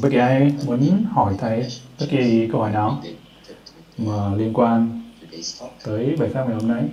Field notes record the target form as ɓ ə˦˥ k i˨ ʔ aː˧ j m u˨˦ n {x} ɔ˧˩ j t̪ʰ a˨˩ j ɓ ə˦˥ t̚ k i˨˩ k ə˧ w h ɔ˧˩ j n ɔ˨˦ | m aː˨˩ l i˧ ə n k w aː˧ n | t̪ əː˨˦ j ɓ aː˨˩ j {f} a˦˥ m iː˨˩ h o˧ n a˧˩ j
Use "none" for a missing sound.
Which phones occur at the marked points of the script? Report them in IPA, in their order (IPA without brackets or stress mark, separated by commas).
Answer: h, f